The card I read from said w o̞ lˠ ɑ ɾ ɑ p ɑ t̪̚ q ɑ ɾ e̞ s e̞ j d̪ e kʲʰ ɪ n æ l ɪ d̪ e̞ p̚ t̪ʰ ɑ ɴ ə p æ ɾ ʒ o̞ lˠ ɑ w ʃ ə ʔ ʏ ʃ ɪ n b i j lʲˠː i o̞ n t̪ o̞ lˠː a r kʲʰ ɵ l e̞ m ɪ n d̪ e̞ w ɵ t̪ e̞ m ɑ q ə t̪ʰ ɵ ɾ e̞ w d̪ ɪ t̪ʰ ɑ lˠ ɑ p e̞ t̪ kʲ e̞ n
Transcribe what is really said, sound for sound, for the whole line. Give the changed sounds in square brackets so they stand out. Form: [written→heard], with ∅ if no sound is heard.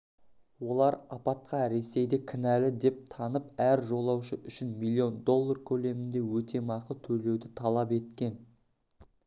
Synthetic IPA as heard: w o̞ lˠ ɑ ɾ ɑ p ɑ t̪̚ q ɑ ɾ e̞ s e̞ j d̪ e kʲʰ ɪ n æ l ɪ d̪ e̞ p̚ t̪ʰ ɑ [ɴ→n] ə p æ ɾ ʒ o̞ lˠ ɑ w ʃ ə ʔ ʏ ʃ ɪ n [b→m] i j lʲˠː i o̞ n [t̪→d̪] o̞ lˠː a r kʲʰ ɵ l e̞ m ɪ n d̪ e̞ w ɵ t̪ e̞ m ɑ q ə t̪ʰ ɵ ɾ e̞ w d̪ ɪ t̪ʰ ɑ lˠ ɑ p e̞ t̪ kʲ e̞ n